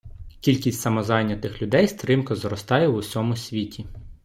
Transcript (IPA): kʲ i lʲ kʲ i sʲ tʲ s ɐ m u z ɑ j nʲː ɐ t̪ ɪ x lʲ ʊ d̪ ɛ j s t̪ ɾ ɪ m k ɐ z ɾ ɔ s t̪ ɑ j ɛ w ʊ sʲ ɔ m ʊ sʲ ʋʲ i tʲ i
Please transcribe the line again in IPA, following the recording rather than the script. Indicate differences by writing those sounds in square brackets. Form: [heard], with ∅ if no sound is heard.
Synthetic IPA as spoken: kʲ i lʲ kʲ i sʲ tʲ s ɐ m [ɔ] z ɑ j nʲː ɐ t̪ ɪ x lʲ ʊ d̪ ɛ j s t̪ ɾ ɪ m k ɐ z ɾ ɔ s t̪ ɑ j ɛ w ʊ sʲ ɔ m ʊ sʲ ʋʲ i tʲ i